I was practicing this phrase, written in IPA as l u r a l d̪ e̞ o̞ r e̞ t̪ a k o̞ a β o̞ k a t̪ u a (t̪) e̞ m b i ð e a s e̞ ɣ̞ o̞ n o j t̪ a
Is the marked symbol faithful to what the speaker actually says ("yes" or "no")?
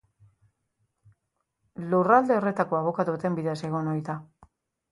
yes